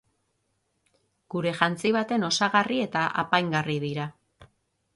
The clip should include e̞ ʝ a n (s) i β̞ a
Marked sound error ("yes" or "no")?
yes